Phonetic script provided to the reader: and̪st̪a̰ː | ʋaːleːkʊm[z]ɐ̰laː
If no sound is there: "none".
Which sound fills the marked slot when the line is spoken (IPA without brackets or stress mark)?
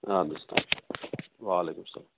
s